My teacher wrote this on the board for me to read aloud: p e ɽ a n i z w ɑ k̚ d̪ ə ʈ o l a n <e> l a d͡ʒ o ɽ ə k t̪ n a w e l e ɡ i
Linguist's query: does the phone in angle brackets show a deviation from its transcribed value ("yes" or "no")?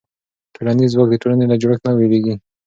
no